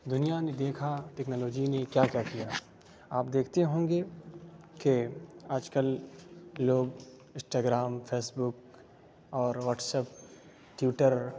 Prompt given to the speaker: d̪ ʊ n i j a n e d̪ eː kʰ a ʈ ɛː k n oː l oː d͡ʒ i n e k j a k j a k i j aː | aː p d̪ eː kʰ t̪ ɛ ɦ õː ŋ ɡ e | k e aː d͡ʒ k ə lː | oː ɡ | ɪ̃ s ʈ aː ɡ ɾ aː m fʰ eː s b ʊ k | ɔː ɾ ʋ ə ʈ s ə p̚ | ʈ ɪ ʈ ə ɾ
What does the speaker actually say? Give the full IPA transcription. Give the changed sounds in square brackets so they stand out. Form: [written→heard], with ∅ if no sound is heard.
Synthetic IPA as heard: d̪ ʊ n i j a n e d̪ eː kʰ a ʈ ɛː k n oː l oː d͡ʒ i n e k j a k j a k i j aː | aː p d̪ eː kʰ t̪ [ɛ→e] ɦ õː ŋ ɡ e | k e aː d͡ʒ k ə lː | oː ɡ | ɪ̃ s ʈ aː ɡ ɾ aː m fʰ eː s b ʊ k | ɔː ɾ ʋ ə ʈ s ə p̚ | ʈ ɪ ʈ ə ɾ